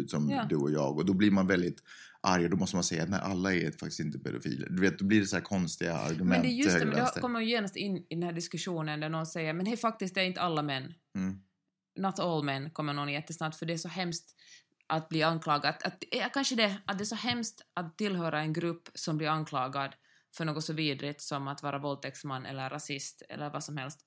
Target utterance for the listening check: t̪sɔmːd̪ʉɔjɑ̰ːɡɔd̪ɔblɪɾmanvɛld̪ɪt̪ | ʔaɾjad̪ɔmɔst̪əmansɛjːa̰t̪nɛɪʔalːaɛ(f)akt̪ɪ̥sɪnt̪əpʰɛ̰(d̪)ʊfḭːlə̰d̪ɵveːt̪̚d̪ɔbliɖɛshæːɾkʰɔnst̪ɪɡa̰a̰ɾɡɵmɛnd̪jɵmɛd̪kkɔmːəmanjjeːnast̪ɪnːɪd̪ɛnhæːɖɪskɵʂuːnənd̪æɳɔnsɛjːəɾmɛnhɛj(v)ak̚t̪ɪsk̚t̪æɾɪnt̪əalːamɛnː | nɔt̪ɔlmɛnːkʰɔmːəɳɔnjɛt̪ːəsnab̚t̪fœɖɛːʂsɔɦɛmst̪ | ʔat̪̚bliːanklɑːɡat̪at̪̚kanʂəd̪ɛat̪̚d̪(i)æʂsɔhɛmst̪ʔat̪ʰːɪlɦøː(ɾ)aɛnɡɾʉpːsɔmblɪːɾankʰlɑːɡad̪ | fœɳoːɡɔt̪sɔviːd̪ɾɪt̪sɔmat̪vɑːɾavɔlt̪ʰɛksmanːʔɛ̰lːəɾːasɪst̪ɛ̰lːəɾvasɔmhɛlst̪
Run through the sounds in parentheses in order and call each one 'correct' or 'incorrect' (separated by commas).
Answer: correct, correct, incorrect, incorrect, correct